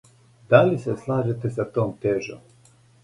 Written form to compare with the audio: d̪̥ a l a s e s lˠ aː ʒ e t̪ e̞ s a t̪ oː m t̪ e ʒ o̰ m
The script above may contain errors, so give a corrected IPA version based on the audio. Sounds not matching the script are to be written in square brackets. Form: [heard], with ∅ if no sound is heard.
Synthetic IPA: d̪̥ a l [i] s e s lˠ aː ʒ e t̪ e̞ s a t̪ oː m t̪ e ʒ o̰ m

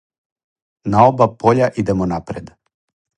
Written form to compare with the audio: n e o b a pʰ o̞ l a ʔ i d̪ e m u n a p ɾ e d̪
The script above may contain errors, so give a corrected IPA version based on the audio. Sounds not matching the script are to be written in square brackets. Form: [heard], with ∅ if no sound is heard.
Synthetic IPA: n [a] o b a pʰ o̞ [ʎ] a ʔ i d̪ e m [o] n a p ɾ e d̪

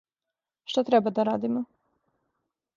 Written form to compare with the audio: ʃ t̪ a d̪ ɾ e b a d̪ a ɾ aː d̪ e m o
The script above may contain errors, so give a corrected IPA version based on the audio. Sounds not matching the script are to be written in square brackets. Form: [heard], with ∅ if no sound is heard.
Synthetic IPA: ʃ t̪ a [t̪] ɾ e b a d̪ a ɾ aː d̪ [i] m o

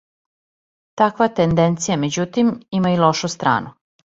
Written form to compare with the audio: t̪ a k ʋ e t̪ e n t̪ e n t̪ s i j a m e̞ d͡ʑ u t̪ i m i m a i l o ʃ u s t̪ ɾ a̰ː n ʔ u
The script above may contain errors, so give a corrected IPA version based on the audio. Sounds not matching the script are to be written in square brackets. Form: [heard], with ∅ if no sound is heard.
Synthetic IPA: t̪ a k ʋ [a] t̪ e n [d̪] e n t̪ s i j a m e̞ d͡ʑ u t̪ i m i m a i l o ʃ u s t̪ ɾ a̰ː n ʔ u

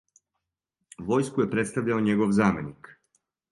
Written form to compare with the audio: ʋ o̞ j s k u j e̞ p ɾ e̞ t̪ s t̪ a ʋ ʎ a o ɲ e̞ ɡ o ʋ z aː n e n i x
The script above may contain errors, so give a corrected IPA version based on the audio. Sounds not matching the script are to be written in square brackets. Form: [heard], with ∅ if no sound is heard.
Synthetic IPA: ʋ o̞ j s k u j e̞ p ɾ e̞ t̪ s t̪ a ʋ ʎ a o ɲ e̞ ɡ o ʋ z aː [m] e n i [k]

